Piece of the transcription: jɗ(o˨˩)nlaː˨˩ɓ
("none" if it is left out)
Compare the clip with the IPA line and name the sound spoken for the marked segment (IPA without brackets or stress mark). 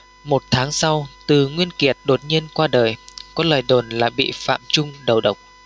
o˨˩